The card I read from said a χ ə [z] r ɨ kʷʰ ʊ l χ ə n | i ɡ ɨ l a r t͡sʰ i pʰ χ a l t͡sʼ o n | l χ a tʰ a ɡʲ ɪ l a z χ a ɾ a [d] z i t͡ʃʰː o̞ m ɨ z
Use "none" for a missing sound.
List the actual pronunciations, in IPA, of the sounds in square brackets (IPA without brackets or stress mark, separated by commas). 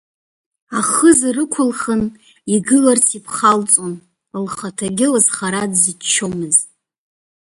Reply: z, d